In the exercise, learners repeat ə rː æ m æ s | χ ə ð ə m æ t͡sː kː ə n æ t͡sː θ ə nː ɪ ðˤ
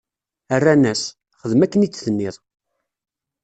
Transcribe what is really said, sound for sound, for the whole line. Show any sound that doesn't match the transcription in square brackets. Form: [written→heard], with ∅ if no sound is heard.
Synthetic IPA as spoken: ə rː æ [m→n] æ s | χ ə ð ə m æ [t͡sː→∅] kː ə n [æ→i] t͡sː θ ə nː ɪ ðˤ